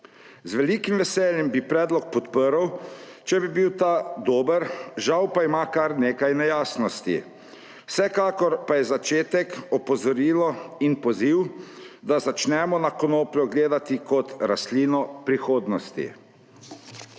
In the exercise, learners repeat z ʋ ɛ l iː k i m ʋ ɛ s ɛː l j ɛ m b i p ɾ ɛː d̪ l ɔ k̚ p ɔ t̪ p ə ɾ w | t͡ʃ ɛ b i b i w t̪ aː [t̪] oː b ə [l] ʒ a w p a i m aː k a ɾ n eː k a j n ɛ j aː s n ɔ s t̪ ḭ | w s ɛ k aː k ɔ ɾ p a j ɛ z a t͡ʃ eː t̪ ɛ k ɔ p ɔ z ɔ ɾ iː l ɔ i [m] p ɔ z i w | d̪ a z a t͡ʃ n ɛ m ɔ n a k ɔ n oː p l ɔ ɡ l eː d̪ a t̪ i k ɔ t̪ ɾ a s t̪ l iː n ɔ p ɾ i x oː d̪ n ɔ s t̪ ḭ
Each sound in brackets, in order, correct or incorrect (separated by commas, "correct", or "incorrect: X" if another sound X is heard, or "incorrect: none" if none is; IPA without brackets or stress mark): incorrect: d̪, incorrect: ɾ, incorrect: n